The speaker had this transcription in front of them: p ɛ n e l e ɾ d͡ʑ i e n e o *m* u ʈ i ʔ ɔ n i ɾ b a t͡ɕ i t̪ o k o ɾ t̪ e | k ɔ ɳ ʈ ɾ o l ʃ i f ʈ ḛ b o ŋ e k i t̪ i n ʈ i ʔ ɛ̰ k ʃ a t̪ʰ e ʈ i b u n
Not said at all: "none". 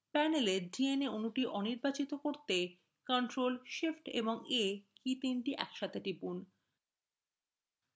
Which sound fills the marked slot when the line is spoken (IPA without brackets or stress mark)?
n